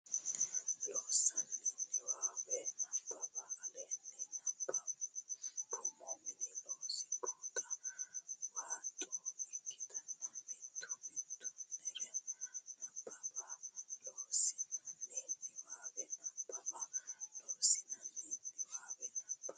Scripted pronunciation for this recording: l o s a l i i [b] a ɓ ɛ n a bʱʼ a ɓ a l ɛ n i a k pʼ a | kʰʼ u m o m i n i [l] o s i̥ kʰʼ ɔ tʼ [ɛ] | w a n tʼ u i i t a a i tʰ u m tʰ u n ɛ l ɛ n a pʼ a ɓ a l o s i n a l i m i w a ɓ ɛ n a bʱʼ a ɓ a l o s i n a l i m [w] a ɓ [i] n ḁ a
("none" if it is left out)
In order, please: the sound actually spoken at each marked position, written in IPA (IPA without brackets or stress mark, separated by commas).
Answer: w, l, a, w, ɛ